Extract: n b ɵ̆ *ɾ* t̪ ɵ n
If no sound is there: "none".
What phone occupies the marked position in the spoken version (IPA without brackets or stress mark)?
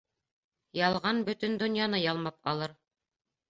none